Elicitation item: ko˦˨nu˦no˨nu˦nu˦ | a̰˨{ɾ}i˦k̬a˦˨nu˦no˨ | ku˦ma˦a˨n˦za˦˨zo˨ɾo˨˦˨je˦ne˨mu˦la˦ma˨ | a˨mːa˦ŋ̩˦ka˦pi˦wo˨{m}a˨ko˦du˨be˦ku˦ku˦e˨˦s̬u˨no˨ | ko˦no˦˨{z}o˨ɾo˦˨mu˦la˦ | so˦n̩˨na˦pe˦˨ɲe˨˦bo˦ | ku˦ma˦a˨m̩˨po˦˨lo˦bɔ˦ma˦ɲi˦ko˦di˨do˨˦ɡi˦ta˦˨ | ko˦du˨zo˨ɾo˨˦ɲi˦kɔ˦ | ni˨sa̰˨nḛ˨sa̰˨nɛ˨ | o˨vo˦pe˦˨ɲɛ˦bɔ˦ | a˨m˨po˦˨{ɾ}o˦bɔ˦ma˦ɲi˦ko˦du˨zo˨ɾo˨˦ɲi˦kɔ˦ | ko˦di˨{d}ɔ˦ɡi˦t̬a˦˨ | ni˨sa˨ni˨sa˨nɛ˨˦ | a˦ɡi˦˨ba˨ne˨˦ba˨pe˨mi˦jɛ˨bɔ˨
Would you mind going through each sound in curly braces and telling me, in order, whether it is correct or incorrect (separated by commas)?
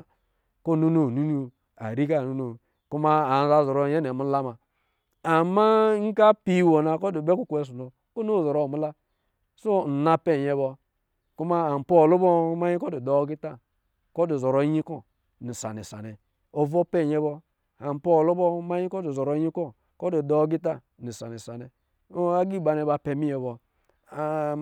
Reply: correct, incorrect, correct, incorrect, correct